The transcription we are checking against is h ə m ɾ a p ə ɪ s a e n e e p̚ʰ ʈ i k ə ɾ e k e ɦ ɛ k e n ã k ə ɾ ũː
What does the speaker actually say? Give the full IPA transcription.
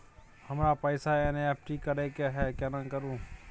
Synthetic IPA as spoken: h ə m ɾ a p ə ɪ s a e n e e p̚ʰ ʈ i k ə ɾ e k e ɦ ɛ k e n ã k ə ɾ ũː